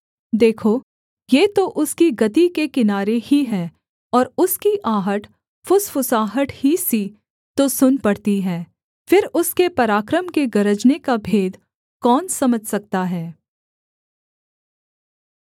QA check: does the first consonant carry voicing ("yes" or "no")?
yes